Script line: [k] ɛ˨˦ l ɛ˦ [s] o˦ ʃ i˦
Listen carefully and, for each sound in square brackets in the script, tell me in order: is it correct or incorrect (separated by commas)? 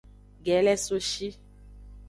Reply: incorrect, correct